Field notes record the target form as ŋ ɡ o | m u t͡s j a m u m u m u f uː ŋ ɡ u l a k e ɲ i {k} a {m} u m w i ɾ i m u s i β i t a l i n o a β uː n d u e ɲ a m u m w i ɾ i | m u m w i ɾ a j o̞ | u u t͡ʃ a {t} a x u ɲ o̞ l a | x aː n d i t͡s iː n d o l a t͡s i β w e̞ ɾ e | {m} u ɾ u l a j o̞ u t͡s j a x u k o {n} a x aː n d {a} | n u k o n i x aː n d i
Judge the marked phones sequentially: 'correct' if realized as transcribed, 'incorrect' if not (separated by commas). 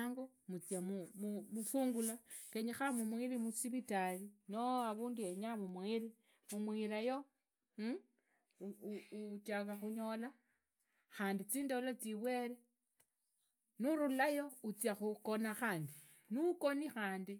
incorrect, correct, incorrect, incorrect, correct, incorrect